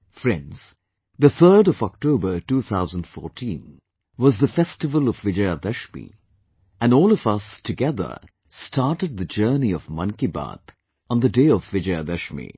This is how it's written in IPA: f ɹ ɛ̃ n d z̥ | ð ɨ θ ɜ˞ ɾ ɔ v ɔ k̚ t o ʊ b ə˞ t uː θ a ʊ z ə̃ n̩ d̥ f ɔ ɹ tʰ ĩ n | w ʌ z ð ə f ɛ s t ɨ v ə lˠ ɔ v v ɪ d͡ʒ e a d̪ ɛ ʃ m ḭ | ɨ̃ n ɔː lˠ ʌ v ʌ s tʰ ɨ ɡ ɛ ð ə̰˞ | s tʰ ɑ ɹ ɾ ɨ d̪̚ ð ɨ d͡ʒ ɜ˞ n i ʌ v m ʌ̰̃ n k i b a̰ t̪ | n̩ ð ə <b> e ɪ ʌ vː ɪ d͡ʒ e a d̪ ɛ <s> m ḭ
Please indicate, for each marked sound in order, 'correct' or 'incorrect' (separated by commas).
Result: incorrect, incorrect